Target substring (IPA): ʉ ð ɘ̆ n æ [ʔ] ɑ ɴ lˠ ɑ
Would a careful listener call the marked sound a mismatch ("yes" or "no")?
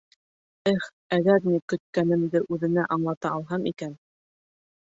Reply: no